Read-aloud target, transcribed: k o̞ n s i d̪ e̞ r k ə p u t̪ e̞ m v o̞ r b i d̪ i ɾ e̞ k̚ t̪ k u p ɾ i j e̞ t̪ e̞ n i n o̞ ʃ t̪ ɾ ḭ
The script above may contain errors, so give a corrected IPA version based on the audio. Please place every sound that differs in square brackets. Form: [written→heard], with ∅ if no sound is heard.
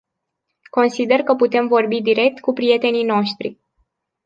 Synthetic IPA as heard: k o̞ n s i d̪ e̞ r k ə p u t̪ e̞ m v o̞ r b i d̪ i ɾ e̞ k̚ t̪ k u p ɾ i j e̞ t̪ e̞ n i n o̞ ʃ t̪ ɾ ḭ